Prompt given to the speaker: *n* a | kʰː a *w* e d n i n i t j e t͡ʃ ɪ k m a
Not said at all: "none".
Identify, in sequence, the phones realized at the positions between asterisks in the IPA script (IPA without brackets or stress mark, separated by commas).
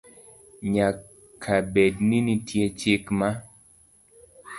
ɲ, b